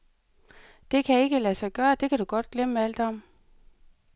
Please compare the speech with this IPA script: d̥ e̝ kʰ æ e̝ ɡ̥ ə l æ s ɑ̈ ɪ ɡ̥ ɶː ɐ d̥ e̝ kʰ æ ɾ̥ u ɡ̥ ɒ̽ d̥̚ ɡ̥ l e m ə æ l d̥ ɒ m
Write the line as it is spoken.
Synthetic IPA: d̥ e̝ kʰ æ e̝ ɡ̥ ə l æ s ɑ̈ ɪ ɡ̥ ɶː ɐ d̥ e̝ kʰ æ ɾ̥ u ɡ̥ ɒ̽ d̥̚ ɡ̥ l e m ə æ l d̥ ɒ m